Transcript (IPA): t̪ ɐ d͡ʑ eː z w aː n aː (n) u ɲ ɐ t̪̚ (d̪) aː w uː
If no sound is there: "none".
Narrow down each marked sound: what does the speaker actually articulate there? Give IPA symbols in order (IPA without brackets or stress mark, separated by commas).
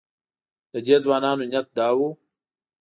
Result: n, d̪